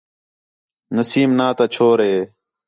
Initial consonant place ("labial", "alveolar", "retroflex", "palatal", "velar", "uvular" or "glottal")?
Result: alveolar